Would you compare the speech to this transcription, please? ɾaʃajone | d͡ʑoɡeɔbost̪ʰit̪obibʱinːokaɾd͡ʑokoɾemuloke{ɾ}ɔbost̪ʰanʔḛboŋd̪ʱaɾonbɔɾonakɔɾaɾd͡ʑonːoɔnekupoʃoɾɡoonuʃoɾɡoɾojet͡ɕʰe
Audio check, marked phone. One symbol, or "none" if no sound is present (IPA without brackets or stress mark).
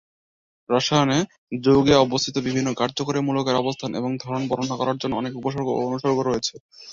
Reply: ɾ